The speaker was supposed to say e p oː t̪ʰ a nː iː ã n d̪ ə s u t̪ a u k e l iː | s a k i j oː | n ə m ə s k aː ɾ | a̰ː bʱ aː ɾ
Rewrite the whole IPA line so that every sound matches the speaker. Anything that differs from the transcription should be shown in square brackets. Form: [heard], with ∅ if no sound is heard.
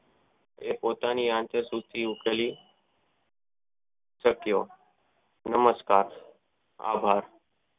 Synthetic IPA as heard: e p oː [t̪] a [n] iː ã n [t̪] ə s u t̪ [i] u k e l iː | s [ə] k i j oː | n ə m ə s k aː ɾ | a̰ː bʱ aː ɾ